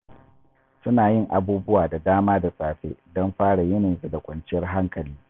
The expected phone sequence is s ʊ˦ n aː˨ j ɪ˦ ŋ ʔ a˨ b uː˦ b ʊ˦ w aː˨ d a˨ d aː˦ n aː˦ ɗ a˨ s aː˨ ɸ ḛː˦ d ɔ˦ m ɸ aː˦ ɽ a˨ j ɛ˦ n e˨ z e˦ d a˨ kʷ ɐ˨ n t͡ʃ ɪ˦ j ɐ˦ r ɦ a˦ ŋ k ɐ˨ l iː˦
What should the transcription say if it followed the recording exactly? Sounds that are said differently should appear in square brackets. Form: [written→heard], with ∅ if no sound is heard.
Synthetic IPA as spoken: s ʊ˦ n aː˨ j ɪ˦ ŋ ʔ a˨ b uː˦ b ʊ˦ w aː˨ d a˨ d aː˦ [n→m] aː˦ [ɗ→d] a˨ s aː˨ ɸ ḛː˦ d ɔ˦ m ɸ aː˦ ɽ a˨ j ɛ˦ n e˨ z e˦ d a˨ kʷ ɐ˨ n t͡ʃ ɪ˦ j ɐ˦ r ɦ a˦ ŋ k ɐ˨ l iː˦